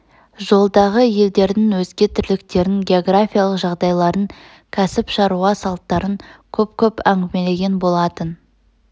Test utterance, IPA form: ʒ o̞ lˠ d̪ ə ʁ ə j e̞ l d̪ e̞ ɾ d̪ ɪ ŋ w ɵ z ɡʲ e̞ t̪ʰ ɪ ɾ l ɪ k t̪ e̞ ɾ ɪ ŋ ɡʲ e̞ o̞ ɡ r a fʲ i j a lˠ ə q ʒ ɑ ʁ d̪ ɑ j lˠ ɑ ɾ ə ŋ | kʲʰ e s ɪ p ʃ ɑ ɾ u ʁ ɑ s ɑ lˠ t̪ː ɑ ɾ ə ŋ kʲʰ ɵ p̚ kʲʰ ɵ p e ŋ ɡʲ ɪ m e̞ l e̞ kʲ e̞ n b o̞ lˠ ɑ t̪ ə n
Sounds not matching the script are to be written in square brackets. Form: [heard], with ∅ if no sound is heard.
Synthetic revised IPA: ʒ o̞ lˠ d̪ [ɑ] ʁ ə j e̞ l d̪ e̞ ɾ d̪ ɪ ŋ w ɵ z ɡʲ e̞ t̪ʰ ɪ ɾ l ɪ k t̪ e̞ ɾ ɪ ŋ ɡʲ e̞ o̞ ɡ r a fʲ i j a lˠ ə q ʒ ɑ ʁ d̪ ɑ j lˠ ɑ ɾ ə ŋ | kʲʰ [æ] s ɪ p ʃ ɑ ɾ u ʁ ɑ s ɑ lˠ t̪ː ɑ ɾ ə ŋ kʲʰ ɵ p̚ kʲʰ ɵ p [æ] ŋ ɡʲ ɪ m e̞ l e̞ [ɡʲ] e̞ n b o̞ lˠ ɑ t̪ ə n

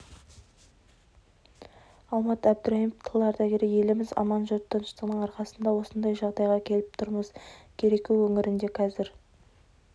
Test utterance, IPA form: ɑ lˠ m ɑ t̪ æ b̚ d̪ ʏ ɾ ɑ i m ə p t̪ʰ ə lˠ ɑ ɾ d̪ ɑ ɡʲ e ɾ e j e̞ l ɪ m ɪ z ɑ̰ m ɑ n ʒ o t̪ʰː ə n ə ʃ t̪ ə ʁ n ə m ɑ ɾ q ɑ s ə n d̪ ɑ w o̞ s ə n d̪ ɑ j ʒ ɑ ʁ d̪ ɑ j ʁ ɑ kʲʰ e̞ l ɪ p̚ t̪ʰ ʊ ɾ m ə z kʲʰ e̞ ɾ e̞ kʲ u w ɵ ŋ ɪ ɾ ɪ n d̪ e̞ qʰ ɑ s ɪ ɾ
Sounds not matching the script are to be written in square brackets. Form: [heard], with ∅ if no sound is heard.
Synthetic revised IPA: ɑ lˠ m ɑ t̪ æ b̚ d̪ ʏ ɾ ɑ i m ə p t̪ʰ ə lˠ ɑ ɾ d̪ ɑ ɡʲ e ɾ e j e̞ l ɪ m ɪ z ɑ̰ m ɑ n ʒ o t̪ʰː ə n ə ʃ t̪ ə ʁ n ə [ɴ] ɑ ɾ q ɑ s ə n d̪ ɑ w o̞ s ə n d̪ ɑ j ʒ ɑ ʁ d̪ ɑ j ʁ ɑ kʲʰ e̞ l ɪ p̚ t̪ʰ ʊ ɾ m ə z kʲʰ e̞ ɾ e̞ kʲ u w ɵ ŋ ɪ ɾ ɪ n d̪ e̞ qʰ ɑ [z] ɪ ɾ

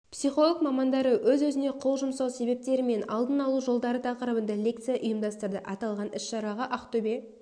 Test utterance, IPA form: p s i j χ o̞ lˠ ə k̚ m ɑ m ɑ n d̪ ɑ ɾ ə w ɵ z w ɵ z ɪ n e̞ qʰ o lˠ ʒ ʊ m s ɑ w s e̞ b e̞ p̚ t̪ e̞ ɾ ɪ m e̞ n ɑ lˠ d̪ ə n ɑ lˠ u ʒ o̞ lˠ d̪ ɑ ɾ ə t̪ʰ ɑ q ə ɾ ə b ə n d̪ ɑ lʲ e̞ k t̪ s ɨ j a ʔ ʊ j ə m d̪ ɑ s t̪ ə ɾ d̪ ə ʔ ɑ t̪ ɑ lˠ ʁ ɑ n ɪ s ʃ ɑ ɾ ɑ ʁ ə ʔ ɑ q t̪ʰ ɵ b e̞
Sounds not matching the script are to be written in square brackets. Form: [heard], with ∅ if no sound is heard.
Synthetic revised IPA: p s i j χ o̞ lˠ ə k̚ m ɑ m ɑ n d̪ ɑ ɾ ə w ɵ z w ɵ z ɪ n e̞ qʰ o lˠ ʒ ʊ m s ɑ w s e̞ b e̞ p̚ t̪ e̞ ɾ ɪ m e̞ n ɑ lˠ d̪ ə n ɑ lˠ u ʒ o̞ lˠ d̪ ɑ ɾ ə t̪ʰ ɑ q ə ɾ ə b ə n d̪ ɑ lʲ e̞ k t̪ s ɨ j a ʔ ʊ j ə m d̪ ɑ s t̪ ə ɾ d̪ ə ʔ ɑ t̪ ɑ lˠ ʁ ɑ n ɪ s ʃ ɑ ɾ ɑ ʁ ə ʔ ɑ q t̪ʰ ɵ b e̞

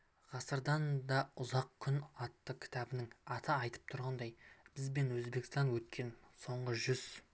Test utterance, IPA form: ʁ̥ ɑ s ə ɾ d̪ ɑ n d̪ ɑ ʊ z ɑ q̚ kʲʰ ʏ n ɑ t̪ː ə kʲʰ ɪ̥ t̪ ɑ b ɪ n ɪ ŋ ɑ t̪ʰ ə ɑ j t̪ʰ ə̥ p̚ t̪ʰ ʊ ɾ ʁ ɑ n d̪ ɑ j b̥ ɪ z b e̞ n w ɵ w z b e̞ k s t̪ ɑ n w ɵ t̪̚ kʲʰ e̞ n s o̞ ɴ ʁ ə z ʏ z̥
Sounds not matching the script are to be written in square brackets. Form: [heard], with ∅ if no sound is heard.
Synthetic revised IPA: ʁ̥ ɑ s ə ɾ d̪ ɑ n d̪ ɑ ʊ z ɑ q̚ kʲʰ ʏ n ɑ t̪ː ə kʲʰ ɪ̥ t̪ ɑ b ɪ n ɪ ŋ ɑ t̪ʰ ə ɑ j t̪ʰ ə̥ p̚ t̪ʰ ʊ ɾ ʁ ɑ n d̪ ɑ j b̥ ɪ z b e̞ n w ɵ [∅] z b e̞ k s t̪ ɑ n w ɵ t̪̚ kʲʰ e̞ n s o̞ ɴ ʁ ə [ʒ] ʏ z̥

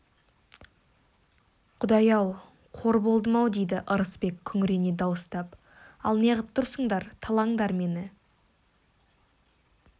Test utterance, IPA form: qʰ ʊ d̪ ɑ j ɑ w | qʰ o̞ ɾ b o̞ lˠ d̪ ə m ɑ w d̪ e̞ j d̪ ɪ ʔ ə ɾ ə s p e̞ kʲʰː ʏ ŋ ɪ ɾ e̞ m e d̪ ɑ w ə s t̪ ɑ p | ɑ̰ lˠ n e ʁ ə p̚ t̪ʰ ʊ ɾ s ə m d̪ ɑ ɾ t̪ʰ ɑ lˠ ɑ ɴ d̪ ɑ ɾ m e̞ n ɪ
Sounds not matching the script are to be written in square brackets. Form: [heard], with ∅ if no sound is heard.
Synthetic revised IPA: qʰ ʊ d̪ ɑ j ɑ w | qʰ o̞ ɾ b o̞ lˠ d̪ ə m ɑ w d̪ e̞ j d̪ ɪ ʔ ə ɾ ə s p e̞ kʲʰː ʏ ŋ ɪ ɾ e̞ [n] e d̪ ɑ w ə s t̪ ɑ p | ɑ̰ lˠ n e ʁ ə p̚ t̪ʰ ʊ ɾ s ə [ɴ] d̪ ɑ ɾ t̪ʰ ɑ lˠ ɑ ɴ d̪ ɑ ɾ m e̞ n ɪ

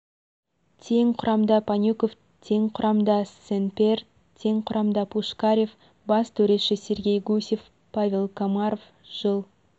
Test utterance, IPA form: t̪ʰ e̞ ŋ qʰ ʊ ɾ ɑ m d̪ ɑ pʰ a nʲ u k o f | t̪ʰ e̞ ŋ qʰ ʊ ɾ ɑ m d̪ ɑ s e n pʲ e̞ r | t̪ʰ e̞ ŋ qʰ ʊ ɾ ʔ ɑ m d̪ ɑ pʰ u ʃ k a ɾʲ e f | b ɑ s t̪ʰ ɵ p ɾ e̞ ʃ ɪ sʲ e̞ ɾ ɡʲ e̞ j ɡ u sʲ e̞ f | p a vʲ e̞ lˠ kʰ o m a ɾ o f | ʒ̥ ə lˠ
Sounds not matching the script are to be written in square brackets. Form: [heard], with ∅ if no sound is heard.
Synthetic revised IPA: t̪ʰ e̞ ŋ qʰ ʊ ɾ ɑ m d̪ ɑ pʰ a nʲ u k o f | t̪ʰ e̞ ŋ qʰ ʊ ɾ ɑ m d̪ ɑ s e n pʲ e̞ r | t̪ʰ e̞ ŋ qʰ ʊ ɾ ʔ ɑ m d̪ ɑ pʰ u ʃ k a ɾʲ e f | b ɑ s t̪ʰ ɵ [∅] ɾ e̞ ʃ ɪ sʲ e̞ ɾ ɡʲ e̞ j ɡ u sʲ e̞ f | p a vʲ e̞ lˠ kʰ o m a ɾ o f | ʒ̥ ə lˠ

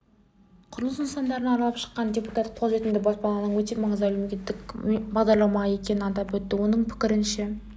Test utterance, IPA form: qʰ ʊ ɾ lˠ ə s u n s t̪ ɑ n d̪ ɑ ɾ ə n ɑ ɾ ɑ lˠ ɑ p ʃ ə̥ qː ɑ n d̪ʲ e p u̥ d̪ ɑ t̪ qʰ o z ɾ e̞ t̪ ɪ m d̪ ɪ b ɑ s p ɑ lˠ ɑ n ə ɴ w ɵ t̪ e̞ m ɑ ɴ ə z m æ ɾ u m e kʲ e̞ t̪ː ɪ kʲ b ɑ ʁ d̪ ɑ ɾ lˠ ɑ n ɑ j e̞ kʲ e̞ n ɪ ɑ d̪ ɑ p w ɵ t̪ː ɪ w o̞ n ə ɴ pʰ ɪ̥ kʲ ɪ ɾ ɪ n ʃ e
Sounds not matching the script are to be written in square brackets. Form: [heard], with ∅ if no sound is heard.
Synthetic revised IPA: qʰ ʊ ɾ lˠ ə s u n s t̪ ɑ n d̪ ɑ ɾ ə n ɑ ɾ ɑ lˠ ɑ p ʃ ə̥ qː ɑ n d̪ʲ e p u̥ [t̪] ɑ t̪ qʰ o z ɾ e̞ t̪ ɪ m d̪ ɪ b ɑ s p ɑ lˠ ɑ n ə ɴ w ɵ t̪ e̞ m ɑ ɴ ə z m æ [l] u m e kʲ e̞ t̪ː ɪ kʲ b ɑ ʁ d̪ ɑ ɾ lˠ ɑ [m] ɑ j e̞ kʲ e̞ n ɪ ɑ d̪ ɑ p w ɵ t̪ː ɪ w o̞ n ə ɴ pʰ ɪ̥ kʲ ɪ ɾ ɪ n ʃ e

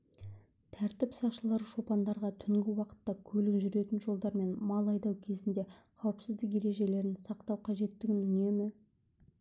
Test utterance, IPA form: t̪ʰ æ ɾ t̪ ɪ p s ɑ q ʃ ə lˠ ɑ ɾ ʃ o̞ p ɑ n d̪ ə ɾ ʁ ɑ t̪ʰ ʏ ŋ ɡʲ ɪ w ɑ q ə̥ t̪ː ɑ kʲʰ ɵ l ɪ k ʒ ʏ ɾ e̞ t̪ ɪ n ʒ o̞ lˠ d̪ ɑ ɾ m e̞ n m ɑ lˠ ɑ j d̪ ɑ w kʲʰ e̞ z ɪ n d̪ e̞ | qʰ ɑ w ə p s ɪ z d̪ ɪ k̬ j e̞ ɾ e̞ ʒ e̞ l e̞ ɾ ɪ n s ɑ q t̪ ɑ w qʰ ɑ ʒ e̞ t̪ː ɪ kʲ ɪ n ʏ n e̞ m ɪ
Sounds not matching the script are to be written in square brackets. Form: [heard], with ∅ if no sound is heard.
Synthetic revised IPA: t̪ʰ æ ɾ t̪ ɪ p s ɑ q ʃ ə lˠ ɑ ɾ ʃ o̞ p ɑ n d̪ [ɑ] ɾ ʁ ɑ t̪ʰ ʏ ŋ ɡʲ ɪ w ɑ q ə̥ t̪ː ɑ kʲʰ ɵ l ɪ k ʒ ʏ ɾ e̞ t̪ ɪ n ʒ o̞ lˠ d̪ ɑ ɾ m e̞ n m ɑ lˠ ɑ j d̪ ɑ w kʲʰ e̞ z ɪ n d̪ e̞ | qʰ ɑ w ə p s ɪ z d̪ ɪ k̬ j e̞ ɾ e̞ ʒ e̞ l e̞ ɾ ɪ n s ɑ q t̪ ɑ w qʰ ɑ ʒ e̞ t̪ː ɪ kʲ ɪ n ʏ n e̞ m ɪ

